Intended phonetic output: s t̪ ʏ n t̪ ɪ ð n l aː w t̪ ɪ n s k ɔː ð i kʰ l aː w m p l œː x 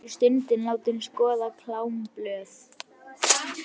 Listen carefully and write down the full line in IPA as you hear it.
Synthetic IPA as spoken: s t̪ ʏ n t̪ ɪ n l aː w t̪ ɪ n s k ɔː ð a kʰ l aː w m p l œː θ